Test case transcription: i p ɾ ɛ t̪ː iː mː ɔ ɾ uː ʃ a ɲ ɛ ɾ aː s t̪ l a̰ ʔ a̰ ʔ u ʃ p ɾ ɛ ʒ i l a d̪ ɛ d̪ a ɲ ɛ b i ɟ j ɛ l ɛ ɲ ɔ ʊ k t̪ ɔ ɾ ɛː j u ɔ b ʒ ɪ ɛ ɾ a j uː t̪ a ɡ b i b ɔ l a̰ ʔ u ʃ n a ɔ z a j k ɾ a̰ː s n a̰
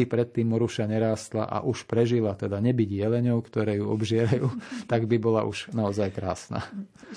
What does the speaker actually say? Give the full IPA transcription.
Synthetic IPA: i p ɾ ɛ t̪ː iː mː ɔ ɾ u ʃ a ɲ ɛ ɾ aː s t̪ l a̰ ʔ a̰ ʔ u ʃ p ɾ ɛ ʒ i l a t̪ ɛ d̪ a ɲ ɛ b i ɟ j ɛ l ɛ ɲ ɔ ʊ k t̪ ɔ ɾ ɛː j u ɔ b ʒ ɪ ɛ ɾ a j uː t̪ a ɡ b i b ɔ l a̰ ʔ u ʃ n a ɔ z a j k ɾ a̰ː s n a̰